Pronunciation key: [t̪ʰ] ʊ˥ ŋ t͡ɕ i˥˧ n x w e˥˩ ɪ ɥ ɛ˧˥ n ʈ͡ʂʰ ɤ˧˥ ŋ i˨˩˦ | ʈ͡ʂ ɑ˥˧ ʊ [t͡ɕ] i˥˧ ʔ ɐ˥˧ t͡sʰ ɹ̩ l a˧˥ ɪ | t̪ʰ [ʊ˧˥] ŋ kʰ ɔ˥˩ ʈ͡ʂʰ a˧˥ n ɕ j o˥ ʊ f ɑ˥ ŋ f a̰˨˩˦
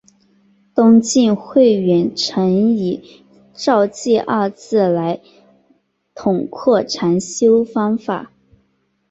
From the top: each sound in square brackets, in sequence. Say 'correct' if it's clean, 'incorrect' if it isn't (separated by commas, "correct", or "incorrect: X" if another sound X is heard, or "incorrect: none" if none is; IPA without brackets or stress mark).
incorrect: t̪, correct, incorrect: ʊ˨˩